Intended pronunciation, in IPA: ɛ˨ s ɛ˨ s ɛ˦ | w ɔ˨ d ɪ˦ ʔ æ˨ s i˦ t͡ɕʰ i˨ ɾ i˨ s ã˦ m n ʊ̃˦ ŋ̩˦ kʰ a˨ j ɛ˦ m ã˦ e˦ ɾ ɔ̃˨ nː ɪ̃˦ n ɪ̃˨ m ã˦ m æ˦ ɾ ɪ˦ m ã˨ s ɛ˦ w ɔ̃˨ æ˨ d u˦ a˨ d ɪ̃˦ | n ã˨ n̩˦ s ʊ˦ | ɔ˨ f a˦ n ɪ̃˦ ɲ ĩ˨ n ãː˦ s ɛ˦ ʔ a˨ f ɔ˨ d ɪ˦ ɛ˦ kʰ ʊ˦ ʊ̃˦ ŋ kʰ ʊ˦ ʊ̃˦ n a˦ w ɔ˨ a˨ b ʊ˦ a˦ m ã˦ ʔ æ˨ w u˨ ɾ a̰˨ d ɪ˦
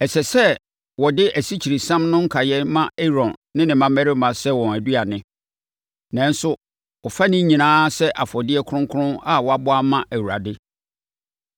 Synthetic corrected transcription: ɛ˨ s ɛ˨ s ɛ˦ | w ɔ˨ d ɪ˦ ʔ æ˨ s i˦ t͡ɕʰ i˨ ɾ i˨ s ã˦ m n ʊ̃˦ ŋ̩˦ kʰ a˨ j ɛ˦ m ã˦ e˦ ɾ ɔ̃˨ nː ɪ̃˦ n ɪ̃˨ m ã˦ m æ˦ ɾ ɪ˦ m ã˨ s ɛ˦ w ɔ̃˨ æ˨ d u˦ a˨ n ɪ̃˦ | n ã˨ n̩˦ s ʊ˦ | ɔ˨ f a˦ n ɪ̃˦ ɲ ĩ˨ n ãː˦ s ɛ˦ ʔ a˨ f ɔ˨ d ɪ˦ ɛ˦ kʰ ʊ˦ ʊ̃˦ ŋ kʰ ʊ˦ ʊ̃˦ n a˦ w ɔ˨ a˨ b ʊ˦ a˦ m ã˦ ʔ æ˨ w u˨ ɾ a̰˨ d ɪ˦